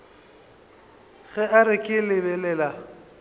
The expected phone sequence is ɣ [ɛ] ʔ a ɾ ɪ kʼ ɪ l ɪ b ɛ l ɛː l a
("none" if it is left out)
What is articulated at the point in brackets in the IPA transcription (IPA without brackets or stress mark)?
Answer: ɛ